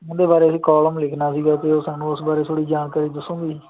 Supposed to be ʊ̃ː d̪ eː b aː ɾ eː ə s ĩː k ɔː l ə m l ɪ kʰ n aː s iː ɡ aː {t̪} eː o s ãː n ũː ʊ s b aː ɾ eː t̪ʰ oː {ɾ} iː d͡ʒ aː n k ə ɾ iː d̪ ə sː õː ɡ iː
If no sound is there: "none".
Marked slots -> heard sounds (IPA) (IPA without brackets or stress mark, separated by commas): t̪, ɽ